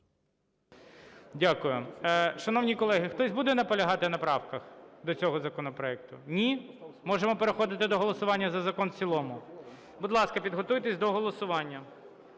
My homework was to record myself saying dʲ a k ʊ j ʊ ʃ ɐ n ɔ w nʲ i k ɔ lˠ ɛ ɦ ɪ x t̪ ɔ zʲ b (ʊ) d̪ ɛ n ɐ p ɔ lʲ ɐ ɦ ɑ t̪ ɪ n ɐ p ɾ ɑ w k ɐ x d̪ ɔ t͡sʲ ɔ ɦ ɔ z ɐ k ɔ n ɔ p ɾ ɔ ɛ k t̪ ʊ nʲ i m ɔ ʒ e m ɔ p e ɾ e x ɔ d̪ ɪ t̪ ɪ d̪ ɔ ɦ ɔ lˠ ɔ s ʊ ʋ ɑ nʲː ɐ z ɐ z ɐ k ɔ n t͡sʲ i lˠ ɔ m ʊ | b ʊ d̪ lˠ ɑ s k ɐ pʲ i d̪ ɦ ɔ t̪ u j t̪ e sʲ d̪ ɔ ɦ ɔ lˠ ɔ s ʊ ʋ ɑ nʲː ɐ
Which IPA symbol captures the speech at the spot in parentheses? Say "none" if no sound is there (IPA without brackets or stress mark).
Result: u